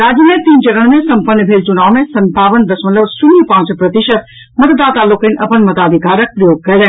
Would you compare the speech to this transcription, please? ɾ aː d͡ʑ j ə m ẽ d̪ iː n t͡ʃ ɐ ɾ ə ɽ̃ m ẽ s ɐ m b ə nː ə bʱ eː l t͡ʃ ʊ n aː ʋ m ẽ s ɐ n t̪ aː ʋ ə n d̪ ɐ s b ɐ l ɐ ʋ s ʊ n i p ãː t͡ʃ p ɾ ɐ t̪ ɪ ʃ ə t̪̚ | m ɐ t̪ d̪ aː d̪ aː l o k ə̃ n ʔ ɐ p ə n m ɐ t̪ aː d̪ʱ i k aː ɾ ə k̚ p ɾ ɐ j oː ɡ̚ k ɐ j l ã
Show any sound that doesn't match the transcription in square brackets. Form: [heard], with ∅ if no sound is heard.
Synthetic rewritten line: ɾ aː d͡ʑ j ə m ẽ [t̪] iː n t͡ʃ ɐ ɾ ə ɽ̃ m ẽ s ɐ m [p] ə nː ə bʱ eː l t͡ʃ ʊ n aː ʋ m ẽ s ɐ n t̪ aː ʋ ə n d̪ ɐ s [m] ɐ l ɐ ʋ s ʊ n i p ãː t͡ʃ p ɾ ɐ t̪ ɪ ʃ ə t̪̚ | m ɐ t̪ d̪ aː [t̪] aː l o k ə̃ n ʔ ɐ p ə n m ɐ t̪ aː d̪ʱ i k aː ɾ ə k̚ p ɾ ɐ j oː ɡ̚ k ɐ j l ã

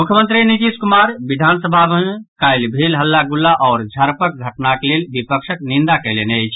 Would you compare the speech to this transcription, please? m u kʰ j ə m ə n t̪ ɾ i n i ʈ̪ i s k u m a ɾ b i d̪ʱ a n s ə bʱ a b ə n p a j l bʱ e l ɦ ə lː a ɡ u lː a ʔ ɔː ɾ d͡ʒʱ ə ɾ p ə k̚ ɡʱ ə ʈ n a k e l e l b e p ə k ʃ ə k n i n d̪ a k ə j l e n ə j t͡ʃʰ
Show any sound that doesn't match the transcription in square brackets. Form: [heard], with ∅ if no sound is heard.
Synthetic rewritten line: m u kʰ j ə m ə n t̪ ɾ i n i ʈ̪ i s k u m a ɾ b i d̪ʱ a n s ə bʱ a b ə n [k] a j l bʱ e l ɦ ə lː a ɡ u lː a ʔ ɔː ɾ d͡ʒʱ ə ɾ p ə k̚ ɡʱ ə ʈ n a k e l e l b [i] p ə k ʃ ə k n i n d̪ a k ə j l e n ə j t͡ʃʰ

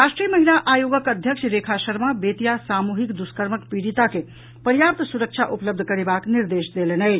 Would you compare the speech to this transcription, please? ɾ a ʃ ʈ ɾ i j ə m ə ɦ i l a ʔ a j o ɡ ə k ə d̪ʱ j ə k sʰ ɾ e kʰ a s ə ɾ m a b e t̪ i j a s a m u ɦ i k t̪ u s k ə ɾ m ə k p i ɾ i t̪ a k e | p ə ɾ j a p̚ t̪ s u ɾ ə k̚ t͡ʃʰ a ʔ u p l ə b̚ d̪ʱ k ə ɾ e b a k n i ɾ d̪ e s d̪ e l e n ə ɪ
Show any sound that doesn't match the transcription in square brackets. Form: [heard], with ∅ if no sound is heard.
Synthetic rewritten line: ɾ a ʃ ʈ ɾ i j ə m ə ɦ i l a ʔ a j o ɡ ə k ə d̪ʱ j ə k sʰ ɾ e kʰ a s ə ɾ m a b e t̪ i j a s a m u ɦ i k [d̪] u s k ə ɾ m ə k p i ɾ i t̪ a k e | p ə ɾ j a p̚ t̪ s u ɾ ə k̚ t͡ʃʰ a ʔ u p l ə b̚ d̪ʱ k ə ɾ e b a k n i ɾ d̪ e s d̪ e l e n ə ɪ

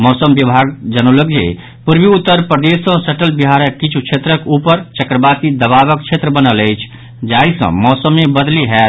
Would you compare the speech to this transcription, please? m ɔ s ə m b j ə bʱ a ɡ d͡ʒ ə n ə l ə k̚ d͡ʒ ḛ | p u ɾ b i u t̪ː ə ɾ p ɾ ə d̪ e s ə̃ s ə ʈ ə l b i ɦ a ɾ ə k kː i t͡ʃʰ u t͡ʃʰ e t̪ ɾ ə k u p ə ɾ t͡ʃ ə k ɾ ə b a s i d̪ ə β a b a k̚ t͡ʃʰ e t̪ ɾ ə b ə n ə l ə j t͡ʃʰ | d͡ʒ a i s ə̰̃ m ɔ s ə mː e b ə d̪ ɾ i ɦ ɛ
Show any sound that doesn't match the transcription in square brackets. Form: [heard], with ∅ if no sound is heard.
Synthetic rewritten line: m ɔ s ə m b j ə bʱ a ɡ d͡ʒ ə n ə l ə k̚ d͡ʒ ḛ | p u ɾ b i u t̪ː ə ɾ p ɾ ə d̪ e s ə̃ s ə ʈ ə l b i ɦ a ɾ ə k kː i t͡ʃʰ u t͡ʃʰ e t̪ ɾ ə k u p ə ɾ t͡ʃ ə k ɾ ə b a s i d̪ ə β a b [ə] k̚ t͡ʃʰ e t̪ ɾ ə b ə n ə l ə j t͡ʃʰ | d͡ʒ a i s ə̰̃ m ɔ s ə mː e b ə d̪ [l] i ɦ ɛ

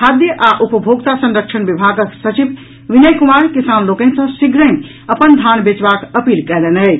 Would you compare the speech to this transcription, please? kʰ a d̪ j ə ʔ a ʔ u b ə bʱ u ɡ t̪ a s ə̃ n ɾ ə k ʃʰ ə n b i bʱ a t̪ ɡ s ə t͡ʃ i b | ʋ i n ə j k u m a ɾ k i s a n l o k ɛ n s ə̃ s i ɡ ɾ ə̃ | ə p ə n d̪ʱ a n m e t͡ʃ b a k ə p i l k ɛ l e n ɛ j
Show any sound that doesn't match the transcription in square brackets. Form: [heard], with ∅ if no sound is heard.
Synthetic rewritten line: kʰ a d̪ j ə ʔ a ʔ u [p] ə bʱ [o] ɡ t̪ a s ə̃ n ɾ ə k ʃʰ ə n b i bʱ a [∅] ɡ s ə t͡ʃ i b | ʋ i n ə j k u m a ɾ k i s a n l o k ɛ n s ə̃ s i ɡ ɾ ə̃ | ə p ə n d̪ʱ a n [b] e t͡ʃ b a k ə p i l k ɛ l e n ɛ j

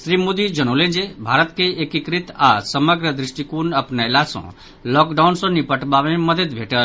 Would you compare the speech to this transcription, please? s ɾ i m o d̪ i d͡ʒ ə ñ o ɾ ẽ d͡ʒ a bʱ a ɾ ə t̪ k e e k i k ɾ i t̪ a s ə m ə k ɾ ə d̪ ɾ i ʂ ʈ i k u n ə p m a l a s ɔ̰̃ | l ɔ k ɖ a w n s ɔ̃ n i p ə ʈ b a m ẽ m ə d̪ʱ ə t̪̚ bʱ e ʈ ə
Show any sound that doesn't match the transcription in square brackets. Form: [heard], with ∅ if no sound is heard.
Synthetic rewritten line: s ɾ i m o d̪ i d͡ʒ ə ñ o [l] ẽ d͡ʒ [e] bʱ a ɾ ə t̪ k e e k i k ɾ i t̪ a s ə m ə [ɡ] ɾ ə d̪ ɾ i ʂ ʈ i k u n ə p [n] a l a s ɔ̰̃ | l ɔ k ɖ a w n s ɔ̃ n i p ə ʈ b a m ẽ m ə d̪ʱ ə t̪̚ bʱ e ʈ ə

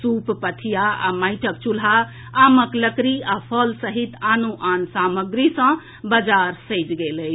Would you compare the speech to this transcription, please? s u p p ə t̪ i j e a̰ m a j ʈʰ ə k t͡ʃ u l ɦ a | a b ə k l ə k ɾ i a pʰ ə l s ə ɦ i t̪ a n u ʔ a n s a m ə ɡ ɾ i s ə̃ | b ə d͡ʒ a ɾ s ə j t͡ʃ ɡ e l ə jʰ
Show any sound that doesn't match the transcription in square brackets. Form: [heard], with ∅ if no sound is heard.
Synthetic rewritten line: s u p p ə [t̪ʰ] i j [a] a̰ m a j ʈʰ ə k t͡ʃ u l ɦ a | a [m] ə k l ə k ɾ i a pʰ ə l s ə ɦ i t̪ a n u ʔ a n s a m ə ɡ ɾ i s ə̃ | b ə d͡ʒ a ɾ s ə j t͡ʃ ɡ e l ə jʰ

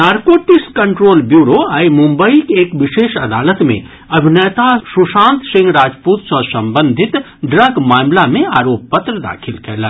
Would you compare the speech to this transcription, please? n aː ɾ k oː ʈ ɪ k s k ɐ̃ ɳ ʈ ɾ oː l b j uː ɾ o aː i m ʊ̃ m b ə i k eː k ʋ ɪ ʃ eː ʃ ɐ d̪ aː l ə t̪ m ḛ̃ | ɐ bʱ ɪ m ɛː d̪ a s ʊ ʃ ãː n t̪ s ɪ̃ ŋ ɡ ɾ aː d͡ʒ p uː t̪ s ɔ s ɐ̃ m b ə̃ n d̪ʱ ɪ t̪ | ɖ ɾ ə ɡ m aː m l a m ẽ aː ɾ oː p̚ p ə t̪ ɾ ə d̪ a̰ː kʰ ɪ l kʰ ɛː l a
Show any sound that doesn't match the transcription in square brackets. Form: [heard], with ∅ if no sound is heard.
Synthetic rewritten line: n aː ɾ k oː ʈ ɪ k s k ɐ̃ ɳ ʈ ɾ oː l b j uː ɾ o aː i m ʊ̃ m b ə i k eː k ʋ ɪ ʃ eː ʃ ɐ d̪ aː l ə t̪ m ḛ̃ | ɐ bʱ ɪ [n] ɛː [t̪] a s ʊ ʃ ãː n t̪ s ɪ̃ ŋ ɡ ɾ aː d͡ʒ p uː t̪ s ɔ s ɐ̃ m b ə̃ n d̪ʱ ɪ t̪ | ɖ ɾ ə ɡ m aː m l a m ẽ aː ɾ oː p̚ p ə t̪ ɾ ə d̪ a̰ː kʰ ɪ l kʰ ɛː l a

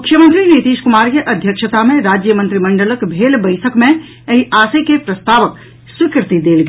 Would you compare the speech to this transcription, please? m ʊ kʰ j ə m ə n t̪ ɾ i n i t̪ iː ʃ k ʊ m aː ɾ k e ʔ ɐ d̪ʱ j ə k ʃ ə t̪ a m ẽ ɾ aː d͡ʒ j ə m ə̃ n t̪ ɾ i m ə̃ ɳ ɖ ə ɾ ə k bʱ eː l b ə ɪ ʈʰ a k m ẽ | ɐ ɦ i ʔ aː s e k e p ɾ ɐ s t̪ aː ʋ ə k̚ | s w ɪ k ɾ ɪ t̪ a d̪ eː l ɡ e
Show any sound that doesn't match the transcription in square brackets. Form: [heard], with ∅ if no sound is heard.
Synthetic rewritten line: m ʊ kʰ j ə m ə n t̪ ɾ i n i t̪ iː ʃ k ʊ m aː ɾ k e ʔ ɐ d̪ʱ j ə k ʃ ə t̪ a m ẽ ɾ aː d͡ʒ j ə m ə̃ n t̪ ɾ i m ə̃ ɳ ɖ ə [l] ə k bʱ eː l b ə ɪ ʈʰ [ə] k m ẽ | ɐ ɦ i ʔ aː s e k e p ɾ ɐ s t̪ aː ʋ ə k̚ | s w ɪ k ɾ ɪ t̪ [i] d̪ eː l ɡ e

